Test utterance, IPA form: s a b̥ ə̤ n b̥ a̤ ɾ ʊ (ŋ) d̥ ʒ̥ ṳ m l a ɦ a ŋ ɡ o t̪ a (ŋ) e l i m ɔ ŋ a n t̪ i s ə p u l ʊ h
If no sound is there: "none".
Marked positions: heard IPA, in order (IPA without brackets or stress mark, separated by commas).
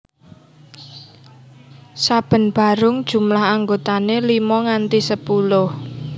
ŋ, n